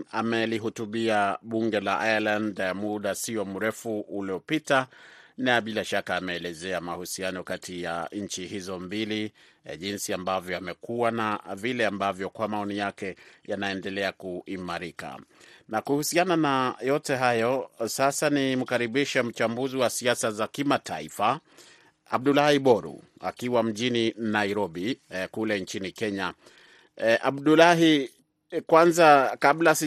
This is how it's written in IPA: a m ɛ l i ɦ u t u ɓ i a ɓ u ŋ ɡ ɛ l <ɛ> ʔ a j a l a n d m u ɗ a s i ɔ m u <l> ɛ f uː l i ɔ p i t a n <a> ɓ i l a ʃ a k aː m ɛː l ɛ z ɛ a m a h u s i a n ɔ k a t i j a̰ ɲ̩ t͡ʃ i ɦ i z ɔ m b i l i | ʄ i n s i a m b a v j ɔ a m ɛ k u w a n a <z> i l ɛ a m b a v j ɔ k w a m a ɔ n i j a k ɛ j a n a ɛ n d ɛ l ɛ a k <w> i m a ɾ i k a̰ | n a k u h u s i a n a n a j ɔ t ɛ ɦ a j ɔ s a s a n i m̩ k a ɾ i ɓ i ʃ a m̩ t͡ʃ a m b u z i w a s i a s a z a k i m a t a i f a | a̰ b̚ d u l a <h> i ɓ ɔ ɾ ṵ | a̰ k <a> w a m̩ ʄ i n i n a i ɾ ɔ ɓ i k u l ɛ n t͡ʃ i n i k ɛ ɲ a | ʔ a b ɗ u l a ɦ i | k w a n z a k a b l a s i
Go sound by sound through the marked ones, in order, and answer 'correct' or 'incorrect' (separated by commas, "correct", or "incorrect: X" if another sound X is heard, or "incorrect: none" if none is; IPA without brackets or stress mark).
incorrect: a, incorrect: ɾ, correct, incorrect: v, incorrect: u, correct, incorrect: i